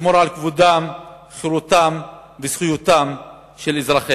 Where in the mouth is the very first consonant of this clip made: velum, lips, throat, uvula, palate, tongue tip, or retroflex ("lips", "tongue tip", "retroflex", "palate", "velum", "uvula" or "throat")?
lips